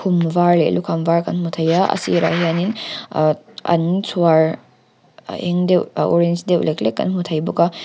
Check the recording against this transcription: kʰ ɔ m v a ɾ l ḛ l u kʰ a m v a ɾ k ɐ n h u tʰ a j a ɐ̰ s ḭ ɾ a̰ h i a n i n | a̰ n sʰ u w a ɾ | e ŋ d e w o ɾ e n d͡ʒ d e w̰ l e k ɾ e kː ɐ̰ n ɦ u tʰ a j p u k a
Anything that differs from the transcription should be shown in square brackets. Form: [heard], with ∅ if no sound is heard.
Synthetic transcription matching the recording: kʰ [u] m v a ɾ l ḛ l u kʰ a m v a ɾ k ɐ n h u tʰ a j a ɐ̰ s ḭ ɾ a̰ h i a n i n | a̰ n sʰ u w a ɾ | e ŋ d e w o ɾ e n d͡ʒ d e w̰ l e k [l] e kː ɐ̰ n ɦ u tʰ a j [b] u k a